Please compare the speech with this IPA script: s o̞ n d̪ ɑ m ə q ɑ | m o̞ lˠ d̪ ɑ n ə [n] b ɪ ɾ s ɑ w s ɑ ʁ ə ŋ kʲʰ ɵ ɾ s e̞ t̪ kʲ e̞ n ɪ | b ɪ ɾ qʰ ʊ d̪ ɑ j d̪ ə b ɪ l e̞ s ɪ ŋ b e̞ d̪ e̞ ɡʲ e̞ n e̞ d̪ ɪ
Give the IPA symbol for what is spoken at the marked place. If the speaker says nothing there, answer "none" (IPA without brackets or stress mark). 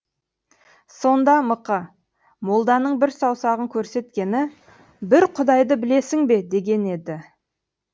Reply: ɴ